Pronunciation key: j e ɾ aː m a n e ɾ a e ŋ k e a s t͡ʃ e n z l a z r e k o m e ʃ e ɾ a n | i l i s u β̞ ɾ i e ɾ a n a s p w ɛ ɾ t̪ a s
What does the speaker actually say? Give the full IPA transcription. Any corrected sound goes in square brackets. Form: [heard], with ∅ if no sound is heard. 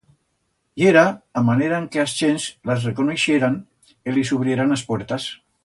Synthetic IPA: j e ɾ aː m a n e ɾ a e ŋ k e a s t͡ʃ e n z l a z r e k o [n] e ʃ e ɾ a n | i l i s u β̞ ɾ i e ɾ a n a s p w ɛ ɾ t̪ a s

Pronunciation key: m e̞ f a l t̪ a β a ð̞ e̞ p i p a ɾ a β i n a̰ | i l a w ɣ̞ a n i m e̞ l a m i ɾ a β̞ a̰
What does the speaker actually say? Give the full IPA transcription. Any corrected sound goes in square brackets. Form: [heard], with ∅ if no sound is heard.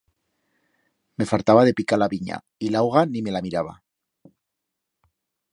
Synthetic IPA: m e̞ f a l t̪ a β a ð̞ e̞ p i [k] a [l] a β i [ɲ] a̰ | i l a w ɣ̞ a n i m e̞ l a m i ɾ a β̞ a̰

